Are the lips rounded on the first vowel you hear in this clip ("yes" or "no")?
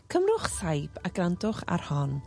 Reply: no